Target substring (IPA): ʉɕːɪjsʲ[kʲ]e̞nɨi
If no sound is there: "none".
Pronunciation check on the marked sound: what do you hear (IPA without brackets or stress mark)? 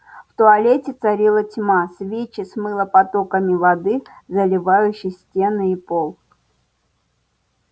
tʲ